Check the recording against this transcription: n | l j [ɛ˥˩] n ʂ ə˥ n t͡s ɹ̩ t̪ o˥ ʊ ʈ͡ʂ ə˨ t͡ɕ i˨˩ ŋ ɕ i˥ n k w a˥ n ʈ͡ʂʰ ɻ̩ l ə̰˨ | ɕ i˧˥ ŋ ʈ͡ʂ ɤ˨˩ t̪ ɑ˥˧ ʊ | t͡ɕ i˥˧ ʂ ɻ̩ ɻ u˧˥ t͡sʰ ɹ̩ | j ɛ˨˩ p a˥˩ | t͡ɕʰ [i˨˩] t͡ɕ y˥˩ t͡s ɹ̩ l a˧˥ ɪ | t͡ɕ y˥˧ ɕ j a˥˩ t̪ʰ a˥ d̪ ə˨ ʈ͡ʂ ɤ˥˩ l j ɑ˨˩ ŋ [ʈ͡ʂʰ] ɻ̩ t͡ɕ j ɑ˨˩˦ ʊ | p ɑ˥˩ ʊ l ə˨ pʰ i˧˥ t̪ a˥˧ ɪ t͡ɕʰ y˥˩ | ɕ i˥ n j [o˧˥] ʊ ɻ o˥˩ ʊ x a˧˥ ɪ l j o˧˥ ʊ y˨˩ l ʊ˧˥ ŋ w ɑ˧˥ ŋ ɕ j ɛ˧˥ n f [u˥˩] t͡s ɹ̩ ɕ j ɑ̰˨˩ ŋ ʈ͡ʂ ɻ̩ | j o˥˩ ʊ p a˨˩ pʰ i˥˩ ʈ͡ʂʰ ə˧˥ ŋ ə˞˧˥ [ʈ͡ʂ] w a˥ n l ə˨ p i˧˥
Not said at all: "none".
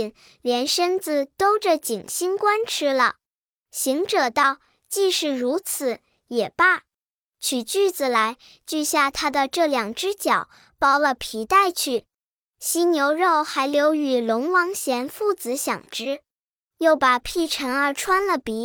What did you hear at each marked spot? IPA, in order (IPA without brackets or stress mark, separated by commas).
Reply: ɛ˧˥, y˨˩, ʈ͡ʂ, o˧˥, u˥˩, ʈ͡ʂʰ